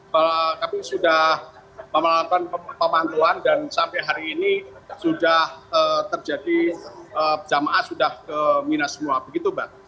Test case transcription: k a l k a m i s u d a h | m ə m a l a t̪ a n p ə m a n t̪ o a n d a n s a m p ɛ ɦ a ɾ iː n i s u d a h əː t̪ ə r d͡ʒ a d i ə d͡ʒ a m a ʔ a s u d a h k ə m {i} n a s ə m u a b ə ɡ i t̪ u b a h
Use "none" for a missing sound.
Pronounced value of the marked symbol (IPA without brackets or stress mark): i